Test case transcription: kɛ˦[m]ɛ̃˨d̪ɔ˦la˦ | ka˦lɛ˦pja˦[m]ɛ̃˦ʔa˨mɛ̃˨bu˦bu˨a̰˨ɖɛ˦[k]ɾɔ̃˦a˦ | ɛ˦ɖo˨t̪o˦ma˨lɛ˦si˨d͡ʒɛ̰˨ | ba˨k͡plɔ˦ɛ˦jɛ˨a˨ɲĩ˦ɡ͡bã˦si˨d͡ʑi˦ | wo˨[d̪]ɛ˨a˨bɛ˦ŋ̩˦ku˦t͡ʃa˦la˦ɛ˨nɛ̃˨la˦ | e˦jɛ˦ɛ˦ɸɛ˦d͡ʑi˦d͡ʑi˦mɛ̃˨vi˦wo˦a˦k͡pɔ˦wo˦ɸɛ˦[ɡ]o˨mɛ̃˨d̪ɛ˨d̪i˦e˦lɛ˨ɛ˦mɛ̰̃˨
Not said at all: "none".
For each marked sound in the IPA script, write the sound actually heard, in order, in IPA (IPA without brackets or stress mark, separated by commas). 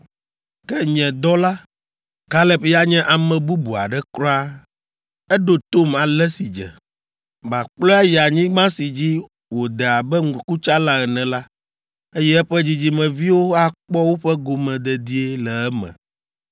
ɲ, ɲ, k, d̪, ɡ